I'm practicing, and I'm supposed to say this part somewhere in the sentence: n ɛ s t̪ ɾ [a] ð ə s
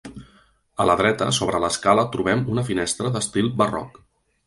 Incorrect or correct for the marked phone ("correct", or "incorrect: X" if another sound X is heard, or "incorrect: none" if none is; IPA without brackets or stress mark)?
incorrect: ə